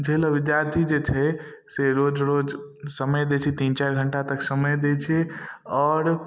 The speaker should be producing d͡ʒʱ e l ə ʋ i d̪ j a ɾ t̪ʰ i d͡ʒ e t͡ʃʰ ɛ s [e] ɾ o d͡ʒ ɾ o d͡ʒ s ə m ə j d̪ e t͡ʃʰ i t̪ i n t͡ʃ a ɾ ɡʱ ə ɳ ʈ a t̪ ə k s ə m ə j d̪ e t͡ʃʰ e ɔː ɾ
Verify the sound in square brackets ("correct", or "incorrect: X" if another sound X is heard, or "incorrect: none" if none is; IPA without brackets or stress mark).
correct